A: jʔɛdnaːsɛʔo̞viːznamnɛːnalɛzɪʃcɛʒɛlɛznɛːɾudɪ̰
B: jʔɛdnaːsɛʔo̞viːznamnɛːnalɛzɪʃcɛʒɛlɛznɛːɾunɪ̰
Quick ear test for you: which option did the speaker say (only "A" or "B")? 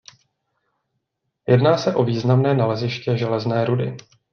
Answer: A